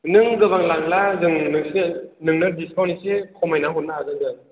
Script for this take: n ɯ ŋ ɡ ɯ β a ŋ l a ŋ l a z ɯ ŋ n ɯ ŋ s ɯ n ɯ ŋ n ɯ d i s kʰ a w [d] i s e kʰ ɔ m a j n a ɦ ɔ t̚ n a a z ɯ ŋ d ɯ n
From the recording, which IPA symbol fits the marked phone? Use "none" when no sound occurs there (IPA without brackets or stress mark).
n